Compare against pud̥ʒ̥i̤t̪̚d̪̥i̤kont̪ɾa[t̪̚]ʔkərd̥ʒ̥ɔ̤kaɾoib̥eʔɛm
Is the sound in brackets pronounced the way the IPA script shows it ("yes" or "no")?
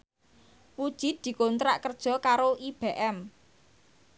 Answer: no